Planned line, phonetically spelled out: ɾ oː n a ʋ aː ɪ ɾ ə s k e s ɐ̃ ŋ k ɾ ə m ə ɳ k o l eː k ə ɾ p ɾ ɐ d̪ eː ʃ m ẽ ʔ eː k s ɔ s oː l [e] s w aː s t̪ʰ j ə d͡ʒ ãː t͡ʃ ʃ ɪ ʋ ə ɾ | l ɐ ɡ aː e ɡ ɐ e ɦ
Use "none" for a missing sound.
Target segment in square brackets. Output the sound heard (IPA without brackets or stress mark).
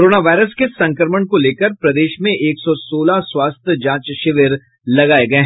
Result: a